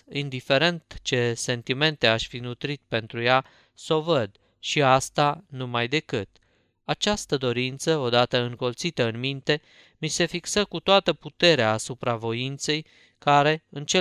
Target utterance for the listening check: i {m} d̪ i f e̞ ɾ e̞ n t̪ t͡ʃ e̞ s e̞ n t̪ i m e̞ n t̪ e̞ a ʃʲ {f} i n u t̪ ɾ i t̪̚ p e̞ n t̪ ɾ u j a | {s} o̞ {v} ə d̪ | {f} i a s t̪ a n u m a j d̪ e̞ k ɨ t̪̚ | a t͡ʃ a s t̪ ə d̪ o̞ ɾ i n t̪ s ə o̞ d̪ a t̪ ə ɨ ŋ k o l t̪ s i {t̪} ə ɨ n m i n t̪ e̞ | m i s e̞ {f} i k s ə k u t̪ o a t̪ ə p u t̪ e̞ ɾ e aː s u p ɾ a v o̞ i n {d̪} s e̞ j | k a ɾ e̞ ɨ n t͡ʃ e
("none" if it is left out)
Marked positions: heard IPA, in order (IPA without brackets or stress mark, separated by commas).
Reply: n, f, s, v, ʃ, t̪, f, t̪